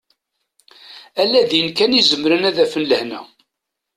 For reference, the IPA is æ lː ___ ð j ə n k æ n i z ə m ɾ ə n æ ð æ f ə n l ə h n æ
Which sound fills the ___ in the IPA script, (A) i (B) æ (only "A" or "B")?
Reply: B